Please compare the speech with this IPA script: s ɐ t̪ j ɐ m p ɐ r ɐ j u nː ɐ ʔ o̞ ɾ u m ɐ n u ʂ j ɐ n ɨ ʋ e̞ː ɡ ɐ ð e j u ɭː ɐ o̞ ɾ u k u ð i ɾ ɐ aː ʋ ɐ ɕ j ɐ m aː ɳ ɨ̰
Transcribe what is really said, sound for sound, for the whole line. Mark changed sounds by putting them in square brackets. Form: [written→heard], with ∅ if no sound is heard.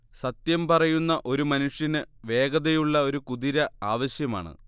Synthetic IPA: s ɐ t̪ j ɐ m p ɐ r ɐ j u nː ɐ ʔ o̞ ɾ u m ɐ n u ʂ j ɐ n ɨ ʋ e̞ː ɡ ɐ ð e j u ɭː ɐ o̞ ɾ u k u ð i ɾ ɐ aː ʋ ɐ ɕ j ɐ m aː ɳ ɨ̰